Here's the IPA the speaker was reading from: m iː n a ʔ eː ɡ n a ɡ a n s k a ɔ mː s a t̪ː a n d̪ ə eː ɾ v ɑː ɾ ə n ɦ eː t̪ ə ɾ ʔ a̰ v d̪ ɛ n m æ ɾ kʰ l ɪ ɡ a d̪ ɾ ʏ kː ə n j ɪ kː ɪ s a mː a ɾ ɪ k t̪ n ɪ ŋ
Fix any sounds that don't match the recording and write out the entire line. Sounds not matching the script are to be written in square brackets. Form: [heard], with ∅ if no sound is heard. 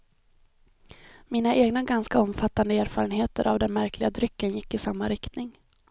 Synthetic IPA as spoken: m iː n a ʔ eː ɡ n a ɡ a n s k a ɔ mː [f] a t̪ː a n d̪ ə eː ɾ [f] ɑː ɾ ə n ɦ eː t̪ ə ɾ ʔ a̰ v d̪ ɛ n m æ ɾ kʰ l ɪ ɡ a d̪ ɾ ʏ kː ə n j ɪ kː ɪ s a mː a ɾ ɪ k t̪ n ɪ ŋ